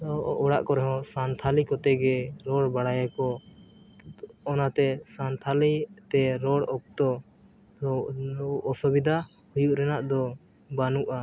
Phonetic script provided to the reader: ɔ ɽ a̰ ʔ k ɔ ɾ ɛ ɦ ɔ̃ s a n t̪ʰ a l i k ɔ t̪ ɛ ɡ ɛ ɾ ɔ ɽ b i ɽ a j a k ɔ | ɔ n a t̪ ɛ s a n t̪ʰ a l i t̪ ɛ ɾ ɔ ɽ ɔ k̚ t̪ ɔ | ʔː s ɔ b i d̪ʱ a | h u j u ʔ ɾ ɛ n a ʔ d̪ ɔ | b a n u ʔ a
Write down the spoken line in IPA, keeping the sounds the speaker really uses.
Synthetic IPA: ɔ ɽ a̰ ʔ k ɔ ɾ ɛ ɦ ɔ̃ s a n t̪ʰ a l i k ɔ t̪ ɛ ɡ ɛ ɾ ɔ ɽ b a ɽ a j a k ɔ | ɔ n a t̪ ɛ s a n t̪ʰ a l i t̪ ɛ ɾ ɔ ɽ ɔ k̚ t̪ ɔ | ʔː s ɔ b i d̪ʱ a | h u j u ʔ ɾ ɛ n a ʔ d̪ ɔ | b a n u ʔ a